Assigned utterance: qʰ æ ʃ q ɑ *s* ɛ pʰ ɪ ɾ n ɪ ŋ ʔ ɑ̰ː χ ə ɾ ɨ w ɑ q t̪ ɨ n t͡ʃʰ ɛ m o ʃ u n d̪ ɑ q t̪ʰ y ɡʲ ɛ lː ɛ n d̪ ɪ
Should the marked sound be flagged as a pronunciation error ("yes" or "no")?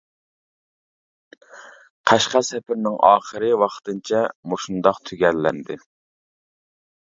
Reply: no